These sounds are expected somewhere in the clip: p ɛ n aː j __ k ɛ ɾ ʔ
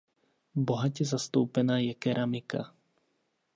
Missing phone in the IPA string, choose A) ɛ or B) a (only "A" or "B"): A